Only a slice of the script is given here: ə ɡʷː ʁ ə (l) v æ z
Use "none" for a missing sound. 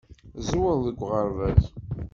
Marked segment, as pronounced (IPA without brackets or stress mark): ɾ